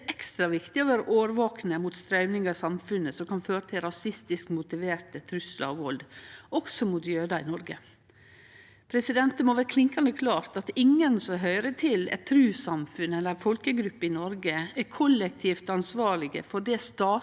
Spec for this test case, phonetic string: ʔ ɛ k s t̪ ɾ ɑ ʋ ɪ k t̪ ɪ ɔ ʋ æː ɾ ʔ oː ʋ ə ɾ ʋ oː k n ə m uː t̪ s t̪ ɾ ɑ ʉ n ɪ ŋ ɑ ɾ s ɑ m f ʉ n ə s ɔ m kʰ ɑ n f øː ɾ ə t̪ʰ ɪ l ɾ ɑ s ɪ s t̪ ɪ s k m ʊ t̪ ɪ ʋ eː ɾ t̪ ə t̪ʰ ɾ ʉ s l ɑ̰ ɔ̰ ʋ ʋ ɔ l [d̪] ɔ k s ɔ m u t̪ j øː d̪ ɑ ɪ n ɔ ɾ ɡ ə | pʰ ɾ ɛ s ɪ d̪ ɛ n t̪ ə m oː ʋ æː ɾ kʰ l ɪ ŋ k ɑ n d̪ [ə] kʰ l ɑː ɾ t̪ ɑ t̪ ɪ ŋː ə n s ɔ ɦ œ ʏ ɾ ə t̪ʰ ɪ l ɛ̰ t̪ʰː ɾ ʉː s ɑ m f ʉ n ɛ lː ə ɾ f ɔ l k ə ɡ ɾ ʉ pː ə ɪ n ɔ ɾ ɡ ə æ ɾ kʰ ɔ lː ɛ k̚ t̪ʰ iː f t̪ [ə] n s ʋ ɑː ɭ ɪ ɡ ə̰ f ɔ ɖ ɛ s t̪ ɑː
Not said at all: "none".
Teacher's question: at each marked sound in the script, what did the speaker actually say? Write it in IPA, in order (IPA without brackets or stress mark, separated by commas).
d̪, ə, ɑ